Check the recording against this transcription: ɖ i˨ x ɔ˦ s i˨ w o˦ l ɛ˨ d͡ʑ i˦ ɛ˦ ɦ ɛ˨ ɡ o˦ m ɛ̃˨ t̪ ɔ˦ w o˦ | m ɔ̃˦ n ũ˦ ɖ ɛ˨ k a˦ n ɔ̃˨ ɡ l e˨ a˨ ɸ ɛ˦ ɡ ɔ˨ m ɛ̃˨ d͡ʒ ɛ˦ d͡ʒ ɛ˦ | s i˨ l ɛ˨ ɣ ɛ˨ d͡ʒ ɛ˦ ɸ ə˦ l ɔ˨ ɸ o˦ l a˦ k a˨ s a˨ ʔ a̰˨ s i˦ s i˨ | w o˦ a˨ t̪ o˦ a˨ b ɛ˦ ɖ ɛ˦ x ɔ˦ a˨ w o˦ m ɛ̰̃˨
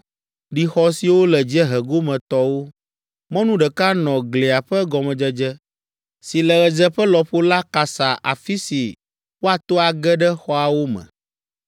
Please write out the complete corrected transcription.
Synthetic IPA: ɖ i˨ x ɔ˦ s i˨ w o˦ l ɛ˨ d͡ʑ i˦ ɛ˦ ɦ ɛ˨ ɡ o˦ m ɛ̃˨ t̪ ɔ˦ w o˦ | m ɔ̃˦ n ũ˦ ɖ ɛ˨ k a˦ n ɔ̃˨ ɡ l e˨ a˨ ɸ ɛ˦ ɡ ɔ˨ m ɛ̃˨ d͡ʒ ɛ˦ d͡ʒ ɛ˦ | s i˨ l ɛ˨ ɣ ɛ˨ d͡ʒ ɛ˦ ɸ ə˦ l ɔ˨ ɸ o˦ l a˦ k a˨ s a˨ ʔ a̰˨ f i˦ s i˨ | w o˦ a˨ t̪ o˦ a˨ ɡ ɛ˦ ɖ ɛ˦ x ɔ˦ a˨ w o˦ m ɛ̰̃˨